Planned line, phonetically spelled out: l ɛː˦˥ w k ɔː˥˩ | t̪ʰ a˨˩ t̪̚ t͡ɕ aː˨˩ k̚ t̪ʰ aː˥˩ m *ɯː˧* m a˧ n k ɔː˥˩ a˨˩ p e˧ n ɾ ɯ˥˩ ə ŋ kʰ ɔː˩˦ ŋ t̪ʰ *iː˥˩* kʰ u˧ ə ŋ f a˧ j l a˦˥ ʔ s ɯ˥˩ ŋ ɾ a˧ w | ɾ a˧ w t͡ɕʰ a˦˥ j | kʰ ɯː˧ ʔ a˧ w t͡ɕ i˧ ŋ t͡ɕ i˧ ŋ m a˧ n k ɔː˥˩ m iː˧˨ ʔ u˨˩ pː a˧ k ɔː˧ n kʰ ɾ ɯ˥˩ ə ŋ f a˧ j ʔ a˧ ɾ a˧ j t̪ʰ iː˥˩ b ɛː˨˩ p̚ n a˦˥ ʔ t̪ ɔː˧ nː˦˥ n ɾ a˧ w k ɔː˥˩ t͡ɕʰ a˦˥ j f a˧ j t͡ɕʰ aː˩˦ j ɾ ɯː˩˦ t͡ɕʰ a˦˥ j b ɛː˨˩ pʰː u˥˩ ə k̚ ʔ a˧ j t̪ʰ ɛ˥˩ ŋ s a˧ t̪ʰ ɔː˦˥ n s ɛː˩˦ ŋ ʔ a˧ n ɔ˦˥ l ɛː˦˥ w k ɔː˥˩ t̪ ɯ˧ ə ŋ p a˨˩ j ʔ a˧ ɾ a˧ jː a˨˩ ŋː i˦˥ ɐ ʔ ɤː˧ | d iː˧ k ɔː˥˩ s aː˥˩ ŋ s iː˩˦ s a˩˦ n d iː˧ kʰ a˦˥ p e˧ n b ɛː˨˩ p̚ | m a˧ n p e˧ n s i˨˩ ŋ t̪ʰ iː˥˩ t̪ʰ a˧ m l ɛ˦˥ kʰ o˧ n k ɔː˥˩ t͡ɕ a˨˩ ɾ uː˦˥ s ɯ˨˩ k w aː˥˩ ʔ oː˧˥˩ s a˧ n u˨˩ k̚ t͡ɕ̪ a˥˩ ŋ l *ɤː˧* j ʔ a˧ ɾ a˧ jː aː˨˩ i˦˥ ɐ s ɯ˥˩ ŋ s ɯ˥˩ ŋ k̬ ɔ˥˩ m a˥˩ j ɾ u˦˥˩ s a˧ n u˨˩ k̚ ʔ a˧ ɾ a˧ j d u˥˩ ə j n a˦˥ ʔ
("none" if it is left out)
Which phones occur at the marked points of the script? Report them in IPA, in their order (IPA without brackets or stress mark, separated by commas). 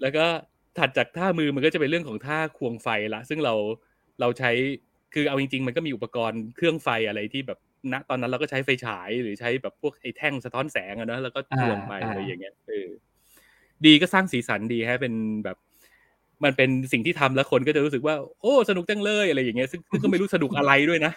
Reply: ɯː˧, aː˥˩, ɤː˥˩